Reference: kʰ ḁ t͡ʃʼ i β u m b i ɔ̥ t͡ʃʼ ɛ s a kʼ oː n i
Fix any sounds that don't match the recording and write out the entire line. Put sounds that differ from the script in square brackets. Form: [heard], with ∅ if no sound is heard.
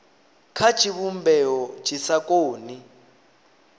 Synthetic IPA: kʰ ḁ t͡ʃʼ i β u m b [ɛ] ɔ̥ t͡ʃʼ [i] s a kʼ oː n i